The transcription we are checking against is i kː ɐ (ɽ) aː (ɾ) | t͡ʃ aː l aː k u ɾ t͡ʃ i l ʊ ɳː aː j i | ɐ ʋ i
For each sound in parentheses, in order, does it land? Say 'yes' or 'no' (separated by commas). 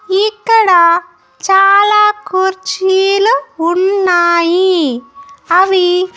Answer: yes, no